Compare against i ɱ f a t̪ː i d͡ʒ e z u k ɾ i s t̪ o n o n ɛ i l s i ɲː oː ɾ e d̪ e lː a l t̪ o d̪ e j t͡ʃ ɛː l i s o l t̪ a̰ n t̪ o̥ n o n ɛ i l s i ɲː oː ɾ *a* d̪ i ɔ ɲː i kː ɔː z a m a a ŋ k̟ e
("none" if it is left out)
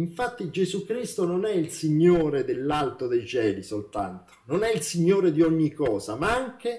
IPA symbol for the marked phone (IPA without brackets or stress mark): e